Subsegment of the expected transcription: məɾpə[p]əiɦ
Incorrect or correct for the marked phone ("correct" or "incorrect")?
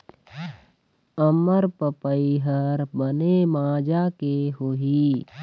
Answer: correct